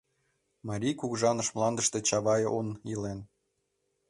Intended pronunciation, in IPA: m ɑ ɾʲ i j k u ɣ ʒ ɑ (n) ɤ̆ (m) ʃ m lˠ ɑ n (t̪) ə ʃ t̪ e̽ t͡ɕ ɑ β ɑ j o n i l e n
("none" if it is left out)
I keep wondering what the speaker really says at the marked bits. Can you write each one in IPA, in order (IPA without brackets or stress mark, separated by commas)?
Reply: n, none, d̪